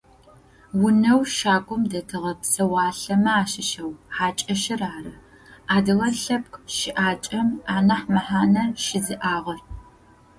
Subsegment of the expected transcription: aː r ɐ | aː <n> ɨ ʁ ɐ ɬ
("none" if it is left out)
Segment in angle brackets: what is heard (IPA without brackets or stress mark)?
d